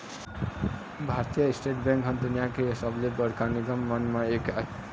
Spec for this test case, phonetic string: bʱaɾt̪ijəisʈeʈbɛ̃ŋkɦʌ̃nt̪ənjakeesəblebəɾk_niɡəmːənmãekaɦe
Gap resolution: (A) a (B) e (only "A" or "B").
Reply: A